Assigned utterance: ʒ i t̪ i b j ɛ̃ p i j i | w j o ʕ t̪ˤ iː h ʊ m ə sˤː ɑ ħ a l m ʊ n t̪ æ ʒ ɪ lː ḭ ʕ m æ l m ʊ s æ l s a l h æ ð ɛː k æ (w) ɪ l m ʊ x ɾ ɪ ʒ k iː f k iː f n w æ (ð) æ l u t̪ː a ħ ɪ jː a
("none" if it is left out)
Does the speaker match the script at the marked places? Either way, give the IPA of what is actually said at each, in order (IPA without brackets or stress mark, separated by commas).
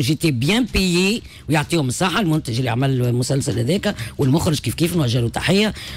w, ʒ